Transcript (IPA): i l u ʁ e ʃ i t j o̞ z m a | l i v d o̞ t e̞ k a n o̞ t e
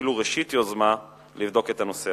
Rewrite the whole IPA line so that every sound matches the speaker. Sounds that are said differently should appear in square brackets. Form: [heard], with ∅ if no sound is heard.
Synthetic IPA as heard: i l u ʁ e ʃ i t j o̞ z m a | l i v d o̞ [k] e̞ [t] a n o̞ [s] e